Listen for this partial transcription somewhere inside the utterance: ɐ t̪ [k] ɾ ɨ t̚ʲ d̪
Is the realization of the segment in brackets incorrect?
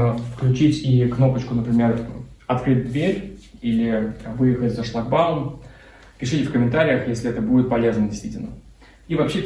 no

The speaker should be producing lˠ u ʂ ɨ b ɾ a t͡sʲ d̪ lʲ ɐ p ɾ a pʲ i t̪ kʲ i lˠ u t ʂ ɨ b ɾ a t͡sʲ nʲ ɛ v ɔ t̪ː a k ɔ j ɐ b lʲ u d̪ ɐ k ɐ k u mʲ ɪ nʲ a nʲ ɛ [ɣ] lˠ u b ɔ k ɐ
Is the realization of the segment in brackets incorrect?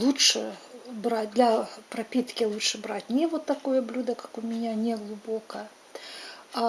no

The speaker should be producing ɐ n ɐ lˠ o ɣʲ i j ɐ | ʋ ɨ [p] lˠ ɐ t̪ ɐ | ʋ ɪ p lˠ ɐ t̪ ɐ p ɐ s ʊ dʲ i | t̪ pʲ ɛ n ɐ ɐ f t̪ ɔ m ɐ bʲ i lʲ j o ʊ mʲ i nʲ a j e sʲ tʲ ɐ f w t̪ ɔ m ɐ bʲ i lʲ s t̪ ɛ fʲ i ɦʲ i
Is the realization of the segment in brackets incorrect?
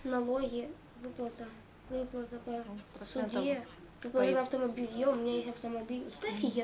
no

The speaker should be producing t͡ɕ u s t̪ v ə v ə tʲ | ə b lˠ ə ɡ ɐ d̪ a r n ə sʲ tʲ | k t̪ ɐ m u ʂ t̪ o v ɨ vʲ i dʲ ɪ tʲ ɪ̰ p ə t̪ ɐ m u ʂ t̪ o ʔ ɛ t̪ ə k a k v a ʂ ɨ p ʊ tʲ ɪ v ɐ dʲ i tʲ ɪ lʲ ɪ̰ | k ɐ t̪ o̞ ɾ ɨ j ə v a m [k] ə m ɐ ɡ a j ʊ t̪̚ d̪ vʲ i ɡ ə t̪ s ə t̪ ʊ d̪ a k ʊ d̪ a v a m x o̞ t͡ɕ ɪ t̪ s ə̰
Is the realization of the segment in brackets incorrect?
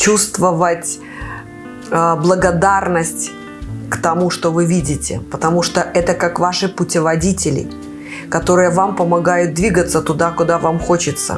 yes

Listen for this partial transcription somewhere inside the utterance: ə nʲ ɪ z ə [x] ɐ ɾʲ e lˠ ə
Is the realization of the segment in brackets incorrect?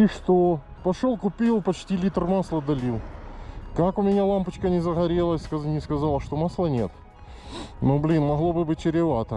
yes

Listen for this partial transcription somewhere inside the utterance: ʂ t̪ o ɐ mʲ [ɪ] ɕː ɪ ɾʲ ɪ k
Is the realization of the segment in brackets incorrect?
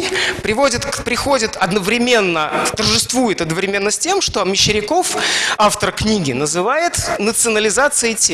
no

